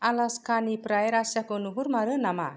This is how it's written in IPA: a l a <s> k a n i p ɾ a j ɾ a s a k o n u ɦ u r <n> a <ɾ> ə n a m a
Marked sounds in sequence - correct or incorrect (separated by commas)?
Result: correct, incorrect, correct